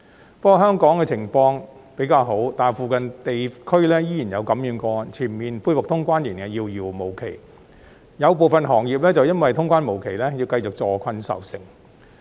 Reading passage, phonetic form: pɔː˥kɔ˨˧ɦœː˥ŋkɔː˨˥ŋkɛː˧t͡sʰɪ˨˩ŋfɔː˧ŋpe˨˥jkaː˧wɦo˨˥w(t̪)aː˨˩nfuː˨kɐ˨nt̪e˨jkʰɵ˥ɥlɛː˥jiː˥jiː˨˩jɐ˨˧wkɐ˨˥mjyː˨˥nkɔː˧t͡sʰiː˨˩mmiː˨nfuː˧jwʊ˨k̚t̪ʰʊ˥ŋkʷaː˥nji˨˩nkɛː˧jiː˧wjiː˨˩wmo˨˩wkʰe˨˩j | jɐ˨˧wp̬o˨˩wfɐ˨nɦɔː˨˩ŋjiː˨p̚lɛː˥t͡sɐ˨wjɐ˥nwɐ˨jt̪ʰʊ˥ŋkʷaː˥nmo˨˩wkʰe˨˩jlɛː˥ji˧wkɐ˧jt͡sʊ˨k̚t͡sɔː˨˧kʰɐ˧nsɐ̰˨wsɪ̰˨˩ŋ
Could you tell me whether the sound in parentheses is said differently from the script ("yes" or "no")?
no